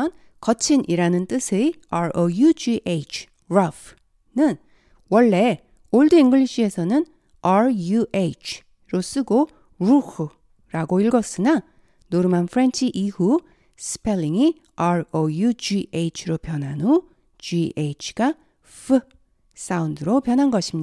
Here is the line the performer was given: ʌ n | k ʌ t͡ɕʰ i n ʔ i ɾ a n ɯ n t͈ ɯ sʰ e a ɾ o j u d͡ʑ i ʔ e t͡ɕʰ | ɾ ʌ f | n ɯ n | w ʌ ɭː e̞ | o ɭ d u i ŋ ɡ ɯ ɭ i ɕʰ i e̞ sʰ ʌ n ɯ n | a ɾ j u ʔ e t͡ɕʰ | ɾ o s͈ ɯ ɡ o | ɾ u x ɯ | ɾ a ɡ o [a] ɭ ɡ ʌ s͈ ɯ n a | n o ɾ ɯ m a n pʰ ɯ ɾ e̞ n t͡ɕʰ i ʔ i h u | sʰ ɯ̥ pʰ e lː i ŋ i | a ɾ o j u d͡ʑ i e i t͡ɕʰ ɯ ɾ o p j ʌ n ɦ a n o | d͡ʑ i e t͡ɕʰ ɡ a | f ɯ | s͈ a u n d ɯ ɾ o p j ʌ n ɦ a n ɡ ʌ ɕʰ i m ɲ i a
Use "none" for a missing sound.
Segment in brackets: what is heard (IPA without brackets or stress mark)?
i